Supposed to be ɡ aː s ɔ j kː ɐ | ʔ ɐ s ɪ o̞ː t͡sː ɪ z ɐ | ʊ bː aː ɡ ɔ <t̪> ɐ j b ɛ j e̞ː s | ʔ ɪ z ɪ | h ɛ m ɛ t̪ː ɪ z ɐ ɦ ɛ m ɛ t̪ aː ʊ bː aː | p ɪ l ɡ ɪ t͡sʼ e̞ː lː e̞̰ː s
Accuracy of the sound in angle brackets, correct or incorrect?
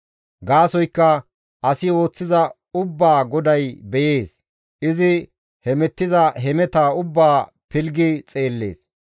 incorrect